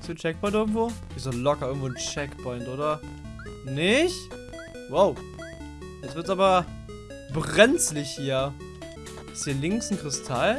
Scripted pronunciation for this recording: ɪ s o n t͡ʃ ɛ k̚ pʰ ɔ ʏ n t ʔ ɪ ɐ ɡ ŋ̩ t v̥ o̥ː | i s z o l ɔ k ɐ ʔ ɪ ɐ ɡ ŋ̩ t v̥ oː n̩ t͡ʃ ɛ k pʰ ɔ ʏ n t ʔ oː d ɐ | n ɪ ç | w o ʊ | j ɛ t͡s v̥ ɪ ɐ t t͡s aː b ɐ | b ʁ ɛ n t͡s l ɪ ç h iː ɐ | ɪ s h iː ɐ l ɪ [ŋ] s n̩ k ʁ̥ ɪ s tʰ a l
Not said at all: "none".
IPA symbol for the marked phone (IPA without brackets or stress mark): ŋ